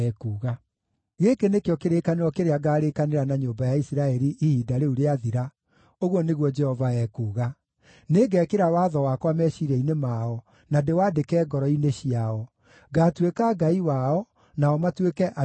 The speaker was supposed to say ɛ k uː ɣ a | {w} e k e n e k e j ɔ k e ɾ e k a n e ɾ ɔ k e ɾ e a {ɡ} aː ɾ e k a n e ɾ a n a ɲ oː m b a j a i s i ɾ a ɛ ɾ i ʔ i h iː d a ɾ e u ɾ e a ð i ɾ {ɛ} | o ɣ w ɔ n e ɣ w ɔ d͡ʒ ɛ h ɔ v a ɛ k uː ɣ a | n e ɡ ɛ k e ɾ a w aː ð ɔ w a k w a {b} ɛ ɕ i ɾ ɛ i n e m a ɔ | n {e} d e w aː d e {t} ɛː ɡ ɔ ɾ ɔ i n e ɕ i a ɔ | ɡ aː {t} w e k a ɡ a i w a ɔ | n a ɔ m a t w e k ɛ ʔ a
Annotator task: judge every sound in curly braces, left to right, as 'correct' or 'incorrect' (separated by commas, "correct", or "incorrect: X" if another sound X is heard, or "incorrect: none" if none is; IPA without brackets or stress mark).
incorrect: ɣ, correct, incorrect: a, incorrect: m, incorrect: a, incorrect: k, correct